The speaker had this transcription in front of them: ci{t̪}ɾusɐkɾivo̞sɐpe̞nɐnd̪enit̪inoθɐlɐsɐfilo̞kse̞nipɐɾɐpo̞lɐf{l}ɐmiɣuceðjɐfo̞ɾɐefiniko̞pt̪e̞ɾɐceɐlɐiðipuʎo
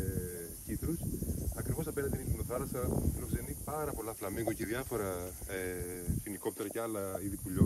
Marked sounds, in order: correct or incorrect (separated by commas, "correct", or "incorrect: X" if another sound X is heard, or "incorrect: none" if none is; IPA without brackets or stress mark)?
correct, correct